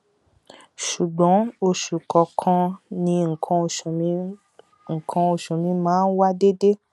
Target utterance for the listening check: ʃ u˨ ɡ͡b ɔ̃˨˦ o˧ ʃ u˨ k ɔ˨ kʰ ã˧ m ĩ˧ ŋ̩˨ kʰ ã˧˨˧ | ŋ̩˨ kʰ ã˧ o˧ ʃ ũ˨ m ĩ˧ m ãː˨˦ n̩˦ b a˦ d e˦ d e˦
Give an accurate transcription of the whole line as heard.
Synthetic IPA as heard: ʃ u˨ ɡ͡b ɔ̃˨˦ o˧ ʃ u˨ k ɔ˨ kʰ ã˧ n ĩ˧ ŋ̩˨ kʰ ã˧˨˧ | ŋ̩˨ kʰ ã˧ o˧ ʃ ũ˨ m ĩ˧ m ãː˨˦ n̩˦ w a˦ d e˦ d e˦